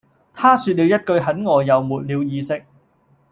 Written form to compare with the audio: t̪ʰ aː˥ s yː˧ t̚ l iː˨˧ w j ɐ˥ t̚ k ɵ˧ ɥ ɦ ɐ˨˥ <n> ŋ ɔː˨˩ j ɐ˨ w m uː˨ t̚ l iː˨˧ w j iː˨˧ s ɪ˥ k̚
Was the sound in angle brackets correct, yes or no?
yes